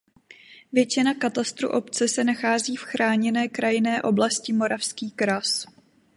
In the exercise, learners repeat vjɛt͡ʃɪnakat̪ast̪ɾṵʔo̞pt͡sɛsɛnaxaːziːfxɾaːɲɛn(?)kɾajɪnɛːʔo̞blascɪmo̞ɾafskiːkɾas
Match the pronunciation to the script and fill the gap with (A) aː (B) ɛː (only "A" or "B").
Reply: B